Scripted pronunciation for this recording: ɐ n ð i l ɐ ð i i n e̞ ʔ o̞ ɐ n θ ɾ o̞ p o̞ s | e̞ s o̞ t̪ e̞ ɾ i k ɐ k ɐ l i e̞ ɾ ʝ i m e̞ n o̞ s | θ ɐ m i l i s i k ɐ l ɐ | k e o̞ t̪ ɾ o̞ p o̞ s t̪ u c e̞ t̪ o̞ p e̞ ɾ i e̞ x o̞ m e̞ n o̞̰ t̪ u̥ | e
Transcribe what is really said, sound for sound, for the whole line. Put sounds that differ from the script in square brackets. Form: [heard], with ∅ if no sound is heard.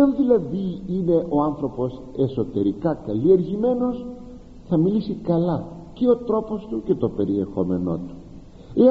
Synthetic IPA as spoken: ɐ n ð i l ɐ ð i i n e̞ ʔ o̞ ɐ n θ ɾ o̞ p o̞ s | e̞ s o̞ t̪ e̞ ɾ i k ɐ k ɐ l i e̞ ɾ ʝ i m e̞ n o̞ s | θ ɐ m i l i s i k ɐ l ɐ | [c] e o̞ t̪ ɾ o̞ p o̞ s t̪ u c e̞ t̪ o̞ p e̞ ɾ i e̞ x o̞ m e̞ n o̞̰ t̪ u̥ | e